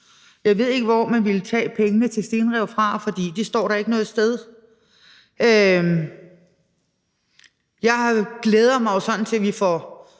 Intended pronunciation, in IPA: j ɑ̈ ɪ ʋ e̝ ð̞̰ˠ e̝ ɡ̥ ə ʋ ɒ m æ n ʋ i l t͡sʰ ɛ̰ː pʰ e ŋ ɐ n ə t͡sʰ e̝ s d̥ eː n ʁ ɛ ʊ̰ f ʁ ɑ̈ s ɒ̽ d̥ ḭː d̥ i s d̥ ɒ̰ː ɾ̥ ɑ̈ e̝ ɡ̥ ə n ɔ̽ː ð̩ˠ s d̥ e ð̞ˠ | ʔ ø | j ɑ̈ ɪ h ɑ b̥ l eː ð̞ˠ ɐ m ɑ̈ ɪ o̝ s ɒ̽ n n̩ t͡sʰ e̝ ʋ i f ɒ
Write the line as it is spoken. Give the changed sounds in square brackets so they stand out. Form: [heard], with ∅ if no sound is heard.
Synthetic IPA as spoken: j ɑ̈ ɪ ʋ e̝ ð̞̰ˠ e̝ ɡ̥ ə ʋ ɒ m æ n ʋ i l t͡sʰ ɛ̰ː pʰ e ŋ [ə] n ə t͡sʰ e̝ s d̥ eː n ʁ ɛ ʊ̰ f ʁ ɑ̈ [f] ɒ̽ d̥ ḭː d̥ i s d̥ ɒ̰ː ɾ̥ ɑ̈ e̝ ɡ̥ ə n ɔ̽ː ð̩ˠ s d̥ e ð̞ˠ | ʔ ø | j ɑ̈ ɪ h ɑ [ɡ̥] l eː ð̞ˠ ɐ m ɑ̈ ɪ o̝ s ɒ̽ n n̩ t͡sʰ e̝ ʋ i f ɒ